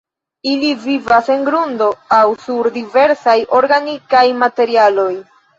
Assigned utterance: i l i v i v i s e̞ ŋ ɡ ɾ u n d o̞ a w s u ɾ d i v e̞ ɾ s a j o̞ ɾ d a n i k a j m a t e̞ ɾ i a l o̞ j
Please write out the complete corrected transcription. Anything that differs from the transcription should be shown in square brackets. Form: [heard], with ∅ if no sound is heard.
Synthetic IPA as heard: i l i v i v [a] s e̞ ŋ ɡ ɾ u n d o̞ a w s u ɾ d i v e̞ ɾ s a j o̞ ɾ [ɡ] a n i k a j m a t e̞ ɾ i a l o̞ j